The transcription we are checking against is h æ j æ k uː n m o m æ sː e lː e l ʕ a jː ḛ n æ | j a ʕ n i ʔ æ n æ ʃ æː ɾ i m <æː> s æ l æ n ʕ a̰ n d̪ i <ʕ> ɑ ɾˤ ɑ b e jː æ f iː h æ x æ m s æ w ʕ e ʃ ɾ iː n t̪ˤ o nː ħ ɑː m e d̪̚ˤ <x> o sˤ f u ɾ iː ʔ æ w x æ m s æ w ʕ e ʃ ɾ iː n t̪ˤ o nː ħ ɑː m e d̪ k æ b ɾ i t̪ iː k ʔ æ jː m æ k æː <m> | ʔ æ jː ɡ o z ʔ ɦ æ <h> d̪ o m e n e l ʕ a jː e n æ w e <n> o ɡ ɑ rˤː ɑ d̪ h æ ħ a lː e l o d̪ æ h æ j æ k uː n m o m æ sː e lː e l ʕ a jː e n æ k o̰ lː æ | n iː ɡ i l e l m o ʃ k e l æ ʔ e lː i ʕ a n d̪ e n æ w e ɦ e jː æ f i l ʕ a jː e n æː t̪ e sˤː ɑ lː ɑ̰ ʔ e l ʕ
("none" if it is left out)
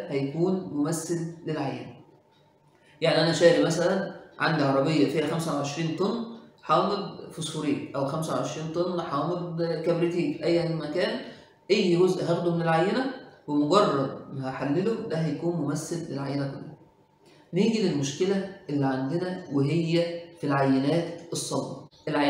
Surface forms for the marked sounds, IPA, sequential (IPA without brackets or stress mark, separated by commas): æ, ʕ, f, n, x, m